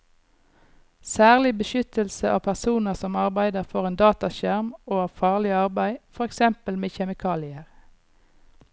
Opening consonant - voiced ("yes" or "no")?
no